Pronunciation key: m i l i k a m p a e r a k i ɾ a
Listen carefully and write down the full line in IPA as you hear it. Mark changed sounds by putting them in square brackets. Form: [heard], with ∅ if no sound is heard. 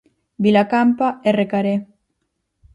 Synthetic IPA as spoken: [b] i l [a] k a m p a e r [e] k [a] ɾ [e]